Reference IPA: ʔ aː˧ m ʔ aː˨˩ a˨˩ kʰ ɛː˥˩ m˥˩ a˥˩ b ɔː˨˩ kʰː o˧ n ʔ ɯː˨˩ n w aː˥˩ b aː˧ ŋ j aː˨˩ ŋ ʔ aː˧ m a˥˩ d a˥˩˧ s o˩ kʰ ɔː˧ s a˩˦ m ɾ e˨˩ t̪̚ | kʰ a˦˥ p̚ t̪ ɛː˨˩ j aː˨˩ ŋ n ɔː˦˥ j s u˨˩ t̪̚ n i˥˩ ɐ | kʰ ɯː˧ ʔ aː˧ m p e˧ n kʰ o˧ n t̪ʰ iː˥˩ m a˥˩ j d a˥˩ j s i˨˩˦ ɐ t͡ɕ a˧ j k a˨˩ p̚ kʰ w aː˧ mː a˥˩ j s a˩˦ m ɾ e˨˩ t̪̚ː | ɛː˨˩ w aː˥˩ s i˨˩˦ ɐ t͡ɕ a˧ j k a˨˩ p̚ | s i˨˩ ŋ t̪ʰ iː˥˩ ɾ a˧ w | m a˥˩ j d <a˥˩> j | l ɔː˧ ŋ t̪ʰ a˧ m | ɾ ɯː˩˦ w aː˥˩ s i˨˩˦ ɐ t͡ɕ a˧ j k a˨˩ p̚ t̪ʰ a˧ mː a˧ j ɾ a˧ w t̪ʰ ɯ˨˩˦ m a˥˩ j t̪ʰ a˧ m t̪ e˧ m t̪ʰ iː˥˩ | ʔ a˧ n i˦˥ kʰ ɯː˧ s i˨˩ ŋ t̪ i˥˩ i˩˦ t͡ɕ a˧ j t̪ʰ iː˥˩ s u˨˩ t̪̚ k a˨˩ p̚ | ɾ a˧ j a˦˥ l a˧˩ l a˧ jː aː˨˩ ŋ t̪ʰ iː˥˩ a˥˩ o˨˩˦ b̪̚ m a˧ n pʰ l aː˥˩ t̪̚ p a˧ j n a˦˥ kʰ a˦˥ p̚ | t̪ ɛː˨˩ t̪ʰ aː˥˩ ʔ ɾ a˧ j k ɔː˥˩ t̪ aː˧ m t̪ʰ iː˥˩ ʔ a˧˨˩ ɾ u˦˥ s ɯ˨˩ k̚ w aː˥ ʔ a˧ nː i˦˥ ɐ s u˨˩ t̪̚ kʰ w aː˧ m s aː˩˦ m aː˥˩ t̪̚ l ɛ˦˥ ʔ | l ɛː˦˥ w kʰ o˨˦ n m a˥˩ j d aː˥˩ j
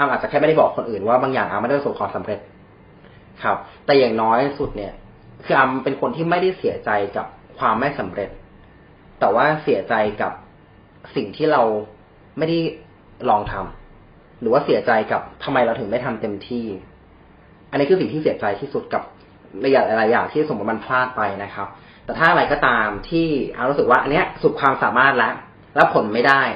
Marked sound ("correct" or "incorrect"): correct